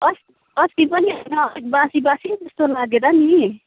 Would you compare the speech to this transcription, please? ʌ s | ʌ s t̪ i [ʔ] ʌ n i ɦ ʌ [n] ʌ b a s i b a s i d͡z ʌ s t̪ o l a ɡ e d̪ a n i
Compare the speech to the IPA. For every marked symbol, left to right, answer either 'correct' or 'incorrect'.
incorrect, correct

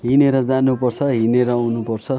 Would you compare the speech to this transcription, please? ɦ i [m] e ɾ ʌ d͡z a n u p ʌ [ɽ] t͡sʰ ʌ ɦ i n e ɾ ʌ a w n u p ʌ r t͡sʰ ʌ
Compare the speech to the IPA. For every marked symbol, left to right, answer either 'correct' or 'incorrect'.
incorrect, incorrect

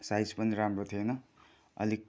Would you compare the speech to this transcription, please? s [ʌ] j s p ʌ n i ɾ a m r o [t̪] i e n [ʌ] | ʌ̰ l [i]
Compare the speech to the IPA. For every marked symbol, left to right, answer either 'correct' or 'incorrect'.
incorrect, incorrect, correct, correct

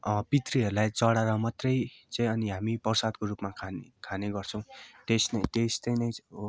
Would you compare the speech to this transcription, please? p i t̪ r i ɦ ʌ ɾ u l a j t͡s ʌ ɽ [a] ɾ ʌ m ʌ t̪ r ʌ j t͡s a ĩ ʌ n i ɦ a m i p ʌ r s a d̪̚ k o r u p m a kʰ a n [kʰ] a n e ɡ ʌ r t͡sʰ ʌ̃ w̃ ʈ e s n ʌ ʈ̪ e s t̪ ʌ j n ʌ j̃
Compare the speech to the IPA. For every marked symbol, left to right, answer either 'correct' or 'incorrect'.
correct, correct

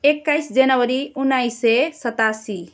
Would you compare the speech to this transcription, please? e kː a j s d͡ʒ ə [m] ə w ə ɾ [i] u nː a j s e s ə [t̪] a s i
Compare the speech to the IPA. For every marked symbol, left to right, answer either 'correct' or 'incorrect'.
incorrect, correct, correct

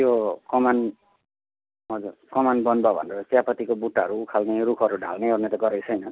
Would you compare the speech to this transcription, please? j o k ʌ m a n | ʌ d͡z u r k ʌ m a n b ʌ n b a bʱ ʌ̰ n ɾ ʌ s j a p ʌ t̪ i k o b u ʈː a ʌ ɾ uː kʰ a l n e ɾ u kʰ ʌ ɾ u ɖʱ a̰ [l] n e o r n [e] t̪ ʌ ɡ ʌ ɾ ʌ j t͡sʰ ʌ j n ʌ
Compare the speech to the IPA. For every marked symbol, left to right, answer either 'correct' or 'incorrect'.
correct, correct

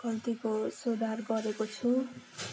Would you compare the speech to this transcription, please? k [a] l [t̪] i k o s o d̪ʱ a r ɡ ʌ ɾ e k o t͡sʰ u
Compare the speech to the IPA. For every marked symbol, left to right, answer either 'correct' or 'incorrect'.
incorrect, correct

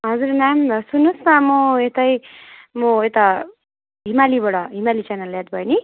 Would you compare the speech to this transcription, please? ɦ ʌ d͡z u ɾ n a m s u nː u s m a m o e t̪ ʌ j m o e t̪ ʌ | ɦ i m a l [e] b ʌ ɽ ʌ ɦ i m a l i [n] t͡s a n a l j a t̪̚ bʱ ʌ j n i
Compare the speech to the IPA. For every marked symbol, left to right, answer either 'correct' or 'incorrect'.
incorrect, incorrect

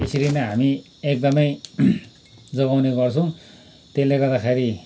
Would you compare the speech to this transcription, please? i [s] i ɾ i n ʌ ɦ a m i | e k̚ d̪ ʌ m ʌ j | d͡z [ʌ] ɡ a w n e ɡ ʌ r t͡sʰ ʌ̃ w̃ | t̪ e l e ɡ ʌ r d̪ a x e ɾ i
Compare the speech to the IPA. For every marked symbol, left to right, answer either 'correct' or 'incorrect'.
correct, correct

